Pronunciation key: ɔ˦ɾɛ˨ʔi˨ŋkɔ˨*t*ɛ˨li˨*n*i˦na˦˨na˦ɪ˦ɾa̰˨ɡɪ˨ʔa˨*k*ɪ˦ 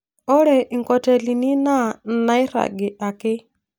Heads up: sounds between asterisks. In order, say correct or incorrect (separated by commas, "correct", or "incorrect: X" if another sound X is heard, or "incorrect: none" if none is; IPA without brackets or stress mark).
correct, correct, correct